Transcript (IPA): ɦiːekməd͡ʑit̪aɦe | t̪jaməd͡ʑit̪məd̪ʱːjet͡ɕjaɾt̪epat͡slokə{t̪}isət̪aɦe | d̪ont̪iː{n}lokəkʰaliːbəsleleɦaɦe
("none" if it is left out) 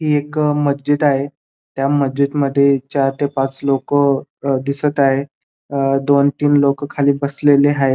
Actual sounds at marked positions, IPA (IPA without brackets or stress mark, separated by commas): d̪, n